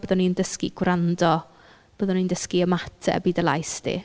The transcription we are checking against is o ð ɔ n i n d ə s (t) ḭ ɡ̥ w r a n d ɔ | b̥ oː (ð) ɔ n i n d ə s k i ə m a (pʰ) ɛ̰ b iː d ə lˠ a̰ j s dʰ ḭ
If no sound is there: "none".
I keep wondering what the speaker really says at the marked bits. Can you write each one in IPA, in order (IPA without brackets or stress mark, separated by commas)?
k, ð, tʰ